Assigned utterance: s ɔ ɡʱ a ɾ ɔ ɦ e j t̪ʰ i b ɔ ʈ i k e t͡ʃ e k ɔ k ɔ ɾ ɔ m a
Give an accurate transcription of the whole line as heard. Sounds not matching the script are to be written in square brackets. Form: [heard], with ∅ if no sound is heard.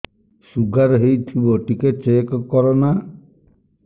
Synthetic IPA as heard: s [u] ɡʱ a ɾ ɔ ɦ e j t̪ʰ i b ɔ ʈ i k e t͡ʃ e k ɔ k ɔ ɾ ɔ [n] a

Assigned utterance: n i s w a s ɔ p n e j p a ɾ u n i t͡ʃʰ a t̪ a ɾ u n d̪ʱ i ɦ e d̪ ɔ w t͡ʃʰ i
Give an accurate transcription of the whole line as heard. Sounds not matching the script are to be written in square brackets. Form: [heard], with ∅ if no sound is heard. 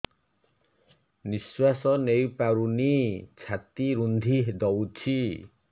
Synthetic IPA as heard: n i s w a s ɔ [∅] n e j p a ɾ u n i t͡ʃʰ a t̪ [i] ɾ u n d̪ʱ i ɦ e d̪ ɔ w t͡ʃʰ i

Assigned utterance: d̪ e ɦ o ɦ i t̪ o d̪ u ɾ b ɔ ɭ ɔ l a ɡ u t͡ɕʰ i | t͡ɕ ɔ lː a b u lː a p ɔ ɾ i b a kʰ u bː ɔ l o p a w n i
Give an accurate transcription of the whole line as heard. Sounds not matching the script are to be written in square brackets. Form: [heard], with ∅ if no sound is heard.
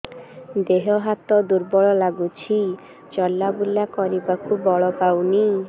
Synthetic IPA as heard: d̪ e ɦ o ɦ [a] t̪ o d̪ u ɾ b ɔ ɭ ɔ l a ɡ u t͡ɕʰ i | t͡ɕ ɔ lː a b u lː a [k] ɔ ɾ i b a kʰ u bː ɔ [ɭ] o p a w n i

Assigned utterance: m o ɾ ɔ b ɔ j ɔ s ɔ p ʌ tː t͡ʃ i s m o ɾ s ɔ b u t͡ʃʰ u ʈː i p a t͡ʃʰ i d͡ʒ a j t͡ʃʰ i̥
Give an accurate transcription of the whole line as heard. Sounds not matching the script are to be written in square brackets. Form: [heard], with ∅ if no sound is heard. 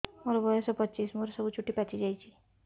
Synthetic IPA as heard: m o ɾ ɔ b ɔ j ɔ s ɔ p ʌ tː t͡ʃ i s m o ɾ s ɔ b u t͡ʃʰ u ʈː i p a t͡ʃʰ i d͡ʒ a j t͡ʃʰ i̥

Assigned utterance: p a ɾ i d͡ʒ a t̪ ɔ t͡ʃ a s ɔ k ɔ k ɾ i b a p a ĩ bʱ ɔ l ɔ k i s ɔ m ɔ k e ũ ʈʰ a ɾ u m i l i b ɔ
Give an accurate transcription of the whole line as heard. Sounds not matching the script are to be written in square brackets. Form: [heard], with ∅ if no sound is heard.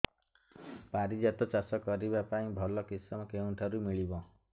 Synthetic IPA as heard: p a ɾ i d͡ʒ a t̪ ɔ t͡ʃ a s ɔ k ɔ [∅] ɾ i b a p a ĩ bʱ ɔ l ɔ k i s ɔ m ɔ k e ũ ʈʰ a ɾ u m i [ɭ] i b ɔ

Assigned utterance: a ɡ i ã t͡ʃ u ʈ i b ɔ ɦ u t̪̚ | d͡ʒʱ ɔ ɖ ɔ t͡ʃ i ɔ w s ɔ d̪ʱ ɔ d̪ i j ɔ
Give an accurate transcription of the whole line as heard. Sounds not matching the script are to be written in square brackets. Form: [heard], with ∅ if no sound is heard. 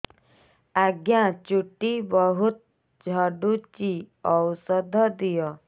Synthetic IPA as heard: a ɡ [j] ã t͡ʃ u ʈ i b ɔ ɦ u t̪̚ | d͡ʒʱ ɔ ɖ [u] t͡ʃ i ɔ w s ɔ d̪ʱ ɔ d̪ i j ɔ

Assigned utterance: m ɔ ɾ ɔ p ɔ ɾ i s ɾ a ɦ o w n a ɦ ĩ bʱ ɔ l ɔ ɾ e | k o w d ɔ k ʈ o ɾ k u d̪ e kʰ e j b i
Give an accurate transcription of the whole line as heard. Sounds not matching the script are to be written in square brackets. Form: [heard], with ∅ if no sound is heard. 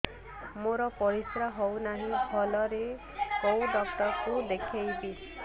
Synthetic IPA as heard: m [o] ɾ ɔ p ɔ ɾ i s ɾ a ɦ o w n a ɦ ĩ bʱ ɔ l ɔ ɾ e | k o w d ɔ k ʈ [ɔ] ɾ k u d̪ e kʰ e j b i

